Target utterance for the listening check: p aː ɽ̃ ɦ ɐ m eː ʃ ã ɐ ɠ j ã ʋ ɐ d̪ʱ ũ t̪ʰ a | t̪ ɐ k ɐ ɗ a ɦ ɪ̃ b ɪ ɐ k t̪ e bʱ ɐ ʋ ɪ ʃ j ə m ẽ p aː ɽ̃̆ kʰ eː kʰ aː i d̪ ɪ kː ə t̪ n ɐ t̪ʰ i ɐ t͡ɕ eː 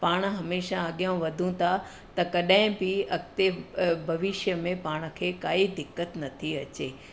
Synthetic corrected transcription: p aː ɽ̃ ɦ ɐ m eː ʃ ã ɐ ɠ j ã ʋ ɐ d̪ʱ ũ t̪ʰ a | t̪ ɐ k ɐ ɗ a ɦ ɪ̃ b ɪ ɐ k t̪ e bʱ ɐ ʋ ɪ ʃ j ə m ẽ p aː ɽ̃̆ kʰ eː k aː i d̪ ɪ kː ə t̪ n ɐ t̪ʰ i ɐ t͡ɕ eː